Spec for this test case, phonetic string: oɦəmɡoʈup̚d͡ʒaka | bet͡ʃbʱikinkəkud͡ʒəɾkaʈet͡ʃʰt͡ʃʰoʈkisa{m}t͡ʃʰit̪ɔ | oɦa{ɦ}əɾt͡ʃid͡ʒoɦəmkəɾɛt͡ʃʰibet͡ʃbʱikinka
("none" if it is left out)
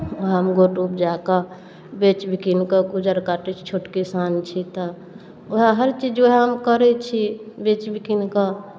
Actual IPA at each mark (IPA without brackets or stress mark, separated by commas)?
n, ɦ